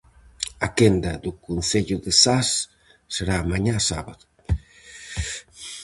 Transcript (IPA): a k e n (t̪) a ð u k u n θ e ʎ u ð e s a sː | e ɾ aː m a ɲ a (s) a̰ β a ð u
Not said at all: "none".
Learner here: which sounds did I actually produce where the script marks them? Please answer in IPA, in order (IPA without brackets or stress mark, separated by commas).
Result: d̪, s